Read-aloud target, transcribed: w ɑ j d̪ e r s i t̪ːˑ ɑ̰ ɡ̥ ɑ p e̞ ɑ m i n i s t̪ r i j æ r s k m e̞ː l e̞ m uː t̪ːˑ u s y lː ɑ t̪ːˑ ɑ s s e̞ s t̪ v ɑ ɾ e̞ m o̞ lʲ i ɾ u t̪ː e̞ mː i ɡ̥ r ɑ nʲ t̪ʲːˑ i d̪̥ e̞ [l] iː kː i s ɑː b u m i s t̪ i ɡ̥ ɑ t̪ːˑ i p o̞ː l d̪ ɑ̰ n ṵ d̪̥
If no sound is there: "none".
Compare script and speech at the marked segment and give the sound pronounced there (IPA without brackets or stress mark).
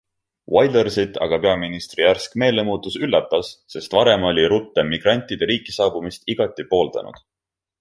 ɾ